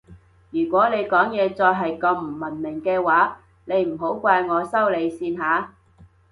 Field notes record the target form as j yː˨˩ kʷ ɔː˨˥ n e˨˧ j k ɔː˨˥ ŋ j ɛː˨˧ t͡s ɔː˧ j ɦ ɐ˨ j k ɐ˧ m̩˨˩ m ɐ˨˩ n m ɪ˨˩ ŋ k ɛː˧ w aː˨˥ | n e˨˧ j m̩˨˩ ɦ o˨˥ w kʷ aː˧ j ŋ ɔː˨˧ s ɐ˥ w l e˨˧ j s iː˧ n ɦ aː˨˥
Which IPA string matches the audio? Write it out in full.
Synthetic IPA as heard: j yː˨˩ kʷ ɔː˨˥ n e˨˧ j k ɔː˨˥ ŋ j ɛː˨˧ t͡s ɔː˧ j ɦ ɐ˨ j k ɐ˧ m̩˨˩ m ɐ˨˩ n m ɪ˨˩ ŋ k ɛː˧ w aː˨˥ | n e˨˧ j m̩˨˩ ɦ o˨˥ w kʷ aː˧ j ŋ ɔː˨˧ s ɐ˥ w l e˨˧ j s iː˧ n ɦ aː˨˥